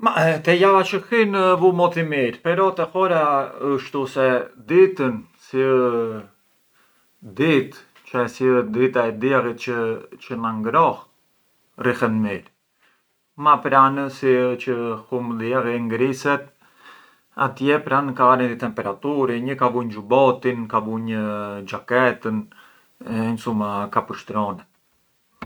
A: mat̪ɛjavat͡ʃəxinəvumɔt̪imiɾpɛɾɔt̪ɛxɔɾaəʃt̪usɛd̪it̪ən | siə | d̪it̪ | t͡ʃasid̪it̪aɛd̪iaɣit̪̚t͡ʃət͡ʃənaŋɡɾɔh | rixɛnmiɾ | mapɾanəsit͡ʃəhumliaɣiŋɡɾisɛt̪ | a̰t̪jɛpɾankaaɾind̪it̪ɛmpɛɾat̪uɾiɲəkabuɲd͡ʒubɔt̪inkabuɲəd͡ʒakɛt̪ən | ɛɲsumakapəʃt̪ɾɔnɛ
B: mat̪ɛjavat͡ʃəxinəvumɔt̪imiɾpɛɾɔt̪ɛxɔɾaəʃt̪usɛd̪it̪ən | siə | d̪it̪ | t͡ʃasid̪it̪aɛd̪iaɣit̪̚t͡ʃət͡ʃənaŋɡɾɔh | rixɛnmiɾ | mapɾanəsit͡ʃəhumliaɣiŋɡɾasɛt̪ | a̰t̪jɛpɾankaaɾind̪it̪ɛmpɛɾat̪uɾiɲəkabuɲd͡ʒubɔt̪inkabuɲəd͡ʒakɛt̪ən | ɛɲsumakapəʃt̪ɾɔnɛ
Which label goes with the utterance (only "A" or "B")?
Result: A